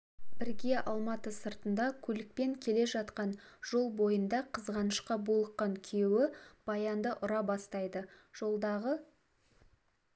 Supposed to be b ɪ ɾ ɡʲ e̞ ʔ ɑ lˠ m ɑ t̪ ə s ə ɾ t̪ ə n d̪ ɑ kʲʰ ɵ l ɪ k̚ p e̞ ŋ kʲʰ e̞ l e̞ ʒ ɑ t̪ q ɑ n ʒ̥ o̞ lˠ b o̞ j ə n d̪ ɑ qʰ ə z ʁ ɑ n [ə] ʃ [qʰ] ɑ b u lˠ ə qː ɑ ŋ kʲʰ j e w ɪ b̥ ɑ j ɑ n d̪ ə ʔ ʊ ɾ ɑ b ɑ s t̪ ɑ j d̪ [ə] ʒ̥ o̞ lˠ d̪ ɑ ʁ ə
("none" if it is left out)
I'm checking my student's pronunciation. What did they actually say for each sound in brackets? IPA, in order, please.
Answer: ə, q, ə

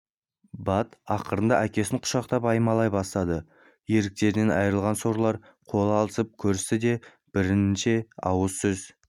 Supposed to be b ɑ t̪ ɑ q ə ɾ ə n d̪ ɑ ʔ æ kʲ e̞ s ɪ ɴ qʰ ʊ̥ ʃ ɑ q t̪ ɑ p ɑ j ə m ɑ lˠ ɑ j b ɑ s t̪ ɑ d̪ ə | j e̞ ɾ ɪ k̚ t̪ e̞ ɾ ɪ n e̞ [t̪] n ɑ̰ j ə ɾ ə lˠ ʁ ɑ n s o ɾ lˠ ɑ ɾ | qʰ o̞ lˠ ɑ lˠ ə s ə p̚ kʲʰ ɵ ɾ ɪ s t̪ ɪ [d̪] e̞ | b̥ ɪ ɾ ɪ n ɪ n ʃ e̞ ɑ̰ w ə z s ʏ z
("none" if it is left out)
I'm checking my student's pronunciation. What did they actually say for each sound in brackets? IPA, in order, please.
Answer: none, d̪

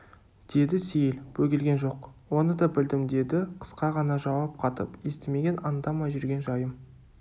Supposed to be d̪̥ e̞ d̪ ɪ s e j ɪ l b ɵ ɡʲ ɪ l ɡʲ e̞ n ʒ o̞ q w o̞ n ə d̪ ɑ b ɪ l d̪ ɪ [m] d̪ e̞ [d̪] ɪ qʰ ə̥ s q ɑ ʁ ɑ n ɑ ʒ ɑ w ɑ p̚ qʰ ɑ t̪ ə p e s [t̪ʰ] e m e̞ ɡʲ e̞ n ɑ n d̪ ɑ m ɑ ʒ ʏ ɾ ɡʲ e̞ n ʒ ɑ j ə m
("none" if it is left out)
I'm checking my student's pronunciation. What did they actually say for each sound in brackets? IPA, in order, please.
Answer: m, d̪, t̪

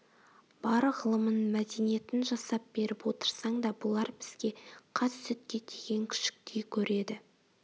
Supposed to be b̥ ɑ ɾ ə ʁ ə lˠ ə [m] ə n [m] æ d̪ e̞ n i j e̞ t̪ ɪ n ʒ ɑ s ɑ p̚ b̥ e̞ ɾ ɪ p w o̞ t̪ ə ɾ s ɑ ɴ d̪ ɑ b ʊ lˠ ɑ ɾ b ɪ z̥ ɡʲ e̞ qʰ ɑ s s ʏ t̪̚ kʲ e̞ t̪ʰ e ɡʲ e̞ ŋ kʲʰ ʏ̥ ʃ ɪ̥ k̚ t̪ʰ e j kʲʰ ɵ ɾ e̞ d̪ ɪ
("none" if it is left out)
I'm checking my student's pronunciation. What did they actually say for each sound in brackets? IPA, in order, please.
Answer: m, m

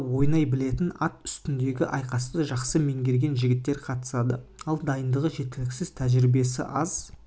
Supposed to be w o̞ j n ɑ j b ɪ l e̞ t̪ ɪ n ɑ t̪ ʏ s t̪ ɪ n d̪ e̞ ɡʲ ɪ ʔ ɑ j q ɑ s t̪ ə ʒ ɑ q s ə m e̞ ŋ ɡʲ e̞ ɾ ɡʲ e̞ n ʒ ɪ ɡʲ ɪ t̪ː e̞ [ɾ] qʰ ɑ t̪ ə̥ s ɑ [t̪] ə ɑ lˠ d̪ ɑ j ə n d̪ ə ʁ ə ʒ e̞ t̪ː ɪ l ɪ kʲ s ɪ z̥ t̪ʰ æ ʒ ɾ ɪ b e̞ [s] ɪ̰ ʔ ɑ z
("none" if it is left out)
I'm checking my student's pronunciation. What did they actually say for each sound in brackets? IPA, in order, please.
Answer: ɾ, d̪, s

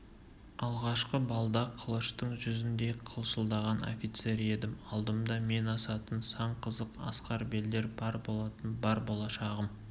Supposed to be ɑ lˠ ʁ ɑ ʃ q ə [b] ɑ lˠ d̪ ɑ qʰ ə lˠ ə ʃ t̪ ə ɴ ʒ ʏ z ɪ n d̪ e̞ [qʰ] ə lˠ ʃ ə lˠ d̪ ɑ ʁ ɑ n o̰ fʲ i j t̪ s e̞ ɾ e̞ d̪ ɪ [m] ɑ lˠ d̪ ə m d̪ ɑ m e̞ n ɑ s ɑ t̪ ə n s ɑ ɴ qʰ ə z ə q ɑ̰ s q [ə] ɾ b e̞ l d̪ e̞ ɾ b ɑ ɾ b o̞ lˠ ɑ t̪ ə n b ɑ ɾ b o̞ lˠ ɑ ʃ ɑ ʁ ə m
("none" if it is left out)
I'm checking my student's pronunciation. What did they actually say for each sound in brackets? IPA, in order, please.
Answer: b, qʰ, m, ɑ

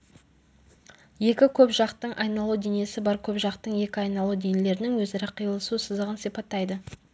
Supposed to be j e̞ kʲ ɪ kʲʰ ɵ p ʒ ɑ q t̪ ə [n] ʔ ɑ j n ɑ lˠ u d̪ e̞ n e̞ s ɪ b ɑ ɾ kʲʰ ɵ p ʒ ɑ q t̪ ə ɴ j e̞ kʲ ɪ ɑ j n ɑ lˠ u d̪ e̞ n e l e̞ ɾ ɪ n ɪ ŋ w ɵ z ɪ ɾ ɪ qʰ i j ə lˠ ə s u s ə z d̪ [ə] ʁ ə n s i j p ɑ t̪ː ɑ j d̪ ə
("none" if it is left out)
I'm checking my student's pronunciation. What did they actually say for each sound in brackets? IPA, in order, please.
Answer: ɴ, ə

